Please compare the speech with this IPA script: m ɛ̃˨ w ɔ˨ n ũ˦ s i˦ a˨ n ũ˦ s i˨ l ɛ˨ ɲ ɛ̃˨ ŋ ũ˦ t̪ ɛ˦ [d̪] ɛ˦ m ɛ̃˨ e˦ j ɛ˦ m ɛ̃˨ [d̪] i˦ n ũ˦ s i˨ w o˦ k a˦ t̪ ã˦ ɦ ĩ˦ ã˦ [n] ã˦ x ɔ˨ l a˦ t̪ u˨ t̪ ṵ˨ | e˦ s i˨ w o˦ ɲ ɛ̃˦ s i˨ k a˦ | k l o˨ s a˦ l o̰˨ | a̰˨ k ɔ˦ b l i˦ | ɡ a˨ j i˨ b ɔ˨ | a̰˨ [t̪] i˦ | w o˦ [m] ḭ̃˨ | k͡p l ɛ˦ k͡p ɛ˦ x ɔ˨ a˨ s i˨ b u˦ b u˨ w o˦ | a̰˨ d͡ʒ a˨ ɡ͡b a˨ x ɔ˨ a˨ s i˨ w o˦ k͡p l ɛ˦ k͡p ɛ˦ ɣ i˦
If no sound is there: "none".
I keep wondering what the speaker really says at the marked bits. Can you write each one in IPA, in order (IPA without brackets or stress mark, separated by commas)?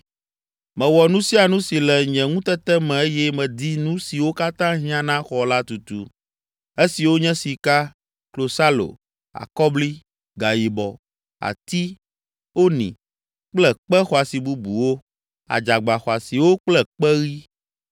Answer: t̪, d̪, n, t̪, n